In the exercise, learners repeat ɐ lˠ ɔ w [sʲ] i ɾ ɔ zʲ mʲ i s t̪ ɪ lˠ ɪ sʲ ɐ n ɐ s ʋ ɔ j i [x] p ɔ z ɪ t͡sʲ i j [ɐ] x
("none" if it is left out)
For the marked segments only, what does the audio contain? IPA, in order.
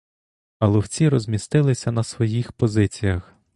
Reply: t͡sʲ, x, ɐ

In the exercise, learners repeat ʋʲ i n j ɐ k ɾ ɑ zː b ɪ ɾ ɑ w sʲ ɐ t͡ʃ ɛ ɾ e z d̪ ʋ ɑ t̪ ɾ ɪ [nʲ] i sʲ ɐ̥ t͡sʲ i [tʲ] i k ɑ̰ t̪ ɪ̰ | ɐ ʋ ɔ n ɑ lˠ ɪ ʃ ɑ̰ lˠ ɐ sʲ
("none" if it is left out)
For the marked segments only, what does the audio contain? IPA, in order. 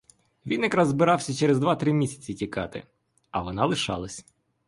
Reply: mʲ, tʲ

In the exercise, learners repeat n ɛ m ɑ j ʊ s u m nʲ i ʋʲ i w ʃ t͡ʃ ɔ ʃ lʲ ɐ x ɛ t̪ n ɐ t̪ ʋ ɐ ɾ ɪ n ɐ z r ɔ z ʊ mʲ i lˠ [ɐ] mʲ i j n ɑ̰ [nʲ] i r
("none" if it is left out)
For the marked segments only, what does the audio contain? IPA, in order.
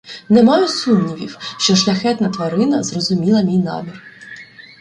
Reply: ɐ, mʲ

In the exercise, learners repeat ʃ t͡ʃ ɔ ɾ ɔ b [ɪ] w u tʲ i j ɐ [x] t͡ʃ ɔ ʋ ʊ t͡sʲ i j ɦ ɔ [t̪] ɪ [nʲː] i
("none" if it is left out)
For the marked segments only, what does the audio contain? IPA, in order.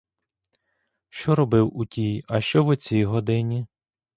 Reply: ɪ, ʃ, d̪, nʲ

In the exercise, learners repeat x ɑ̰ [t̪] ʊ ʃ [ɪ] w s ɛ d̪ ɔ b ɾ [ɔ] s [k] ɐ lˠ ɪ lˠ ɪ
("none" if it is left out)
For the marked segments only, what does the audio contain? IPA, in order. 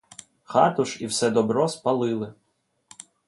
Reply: t̪, i, ɔ, p

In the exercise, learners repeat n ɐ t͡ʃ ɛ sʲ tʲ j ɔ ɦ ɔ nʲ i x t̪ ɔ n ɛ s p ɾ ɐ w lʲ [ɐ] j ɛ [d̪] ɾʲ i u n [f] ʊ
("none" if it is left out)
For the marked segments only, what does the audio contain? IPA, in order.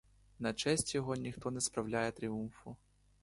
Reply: a, t̪, f

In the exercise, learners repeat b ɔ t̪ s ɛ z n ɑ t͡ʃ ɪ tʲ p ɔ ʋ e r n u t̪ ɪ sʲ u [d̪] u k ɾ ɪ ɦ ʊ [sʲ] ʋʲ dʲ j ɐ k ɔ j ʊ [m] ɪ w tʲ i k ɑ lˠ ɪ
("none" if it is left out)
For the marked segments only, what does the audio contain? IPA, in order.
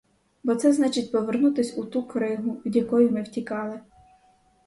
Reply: t̪, none, m

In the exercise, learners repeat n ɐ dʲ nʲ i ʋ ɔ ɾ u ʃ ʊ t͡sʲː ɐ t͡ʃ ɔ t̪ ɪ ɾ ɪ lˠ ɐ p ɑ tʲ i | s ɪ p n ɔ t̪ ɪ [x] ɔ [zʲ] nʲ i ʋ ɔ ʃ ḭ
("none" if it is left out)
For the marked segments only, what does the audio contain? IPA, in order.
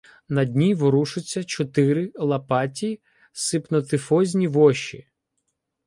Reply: f, zʲ

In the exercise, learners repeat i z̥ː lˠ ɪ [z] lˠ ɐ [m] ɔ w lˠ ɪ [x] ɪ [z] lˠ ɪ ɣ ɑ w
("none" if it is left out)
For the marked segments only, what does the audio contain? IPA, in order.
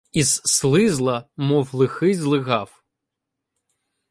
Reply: z, m, x, z

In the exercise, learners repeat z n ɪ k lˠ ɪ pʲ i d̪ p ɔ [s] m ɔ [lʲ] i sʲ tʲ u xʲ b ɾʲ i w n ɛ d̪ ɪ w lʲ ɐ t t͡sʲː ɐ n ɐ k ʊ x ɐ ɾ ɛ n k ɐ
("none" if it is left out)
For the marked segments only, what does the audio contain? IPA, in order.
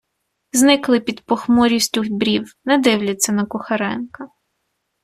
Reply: x, ɾʲ

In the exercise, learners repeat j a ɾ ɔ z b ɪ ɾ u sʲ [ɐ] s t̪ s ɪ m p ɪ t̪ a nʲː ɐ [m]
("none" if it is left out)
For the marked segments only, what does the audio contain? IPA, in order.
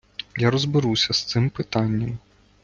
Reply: ɐ, m

